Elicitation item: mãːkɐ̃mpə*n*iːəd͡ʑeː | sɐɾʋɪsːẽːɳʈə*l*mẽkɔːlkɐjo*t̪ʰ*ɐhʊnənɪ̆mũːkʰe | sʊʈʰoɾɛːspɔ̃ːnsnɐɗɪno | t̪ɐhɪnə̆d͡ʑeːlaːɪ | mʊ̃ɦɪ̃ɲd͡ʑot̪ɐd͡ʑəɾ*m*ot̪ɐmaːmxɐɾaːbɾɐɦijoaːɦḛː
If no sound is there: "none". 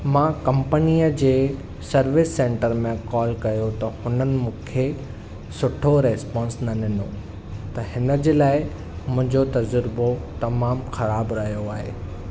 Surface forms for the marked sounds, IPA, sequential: n, ɾ, t̪, b

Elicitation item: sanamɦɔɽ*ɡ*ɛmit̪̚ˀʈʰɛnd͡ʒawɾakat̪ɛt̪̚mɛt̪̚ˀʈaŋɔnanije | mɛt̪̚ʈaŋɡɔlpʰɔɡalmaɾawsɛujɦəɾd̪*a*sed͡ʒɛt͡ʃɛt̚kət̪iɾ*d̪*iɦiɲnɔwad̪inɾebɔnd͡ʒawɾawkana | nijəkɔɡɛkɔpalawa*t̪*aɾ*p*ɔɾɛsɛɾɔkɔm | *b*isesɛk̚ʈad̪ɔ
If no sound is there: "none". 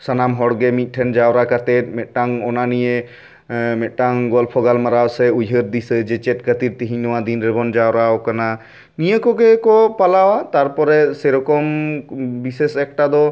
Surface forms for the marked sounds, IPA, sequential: ɡ, i, t̪, t̪, p, b

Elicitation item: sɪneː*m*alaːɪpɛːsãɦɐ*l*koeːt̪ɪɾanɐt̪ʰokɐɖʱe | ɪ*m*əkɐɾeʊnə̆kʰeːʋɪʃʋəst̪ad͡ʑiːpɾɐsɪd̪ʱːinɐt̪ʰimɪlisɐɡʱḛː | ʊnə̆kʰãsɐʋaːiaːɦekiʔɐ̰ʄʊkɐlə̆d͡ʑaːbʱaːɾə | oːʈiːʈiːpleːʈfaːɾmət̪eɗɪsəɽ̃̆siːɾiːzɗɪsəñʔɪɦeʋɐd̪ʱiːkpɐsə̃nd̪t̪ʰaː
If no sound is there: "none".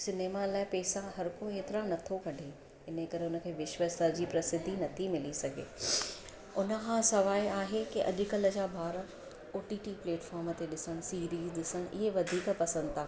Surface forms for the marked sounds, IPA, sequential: m, ɾ, n

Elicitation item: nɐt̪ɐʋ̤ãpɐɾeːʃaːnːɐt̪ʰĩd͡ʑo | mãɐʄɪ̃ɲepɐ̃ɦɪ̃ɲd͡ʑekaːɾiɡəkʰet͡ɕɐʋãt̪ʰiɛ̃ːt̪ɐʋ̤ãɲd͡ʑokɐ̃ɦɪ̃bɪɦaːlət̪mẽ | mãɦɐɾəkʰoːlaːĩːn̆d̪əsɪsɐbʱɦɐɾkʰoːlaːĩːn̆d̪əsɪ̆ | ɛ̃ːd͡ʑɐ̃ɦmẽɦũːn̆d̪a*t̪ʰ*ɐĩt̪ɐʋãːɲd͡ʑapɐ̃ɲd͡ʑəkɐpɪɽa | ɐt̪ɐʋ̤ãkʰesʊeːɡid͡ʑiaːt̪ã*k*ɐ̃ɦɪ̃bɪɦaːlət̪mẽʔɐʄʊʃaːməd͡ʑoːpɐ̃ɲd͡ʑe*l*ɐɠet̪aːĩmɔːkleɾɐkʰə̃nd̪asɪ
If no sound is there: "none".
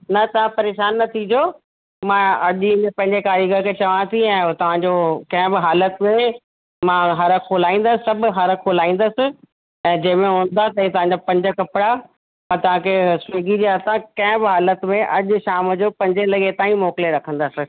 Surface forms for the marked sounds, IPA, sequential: t̪, k, l

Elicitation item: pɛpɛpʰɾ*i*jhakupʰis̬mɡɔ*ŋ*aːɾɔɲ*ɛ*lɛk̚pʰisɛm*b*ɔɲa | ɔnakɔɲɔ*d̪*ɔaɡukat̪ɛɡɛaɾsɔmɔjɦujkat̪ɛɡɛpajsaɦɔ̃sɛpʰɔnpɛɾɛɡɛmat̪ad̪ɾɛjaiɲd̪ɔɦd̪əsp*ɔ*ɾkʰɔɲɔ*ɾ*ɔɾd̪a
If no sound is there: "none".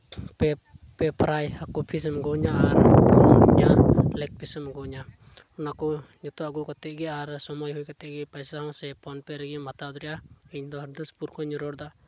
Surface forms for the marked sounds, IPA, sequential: a, ɲ, a, ɡ, t̪, u, ɾ

